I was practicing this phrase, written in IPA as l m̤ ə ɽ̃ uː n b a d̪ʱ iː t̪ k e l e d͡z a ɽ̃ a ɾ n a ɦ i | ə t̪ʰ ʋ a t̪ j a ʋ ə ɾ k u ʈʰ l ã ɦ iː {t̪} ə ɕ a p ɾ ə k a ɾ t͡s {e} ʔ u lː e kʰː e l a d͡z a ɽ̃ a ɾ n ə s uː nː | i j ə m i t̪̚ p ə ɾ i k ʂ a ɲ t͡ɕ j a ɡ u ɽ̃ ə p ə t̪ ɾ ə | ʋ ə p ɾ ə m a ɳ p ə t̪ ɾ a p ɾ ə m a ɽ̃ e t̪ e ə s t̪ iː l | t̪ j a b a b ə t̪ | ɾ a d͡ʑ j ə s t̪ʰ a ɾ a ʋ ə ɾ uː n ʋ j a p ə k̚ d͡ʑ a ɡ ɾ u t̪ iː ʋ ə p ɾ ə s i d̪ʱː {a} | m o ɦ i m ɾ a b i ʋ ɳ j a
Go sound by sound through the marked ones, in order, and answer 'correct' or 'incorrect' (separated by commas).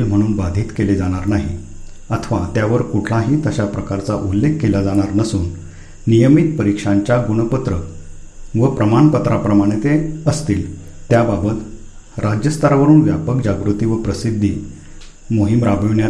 correct, incorrect, incorrect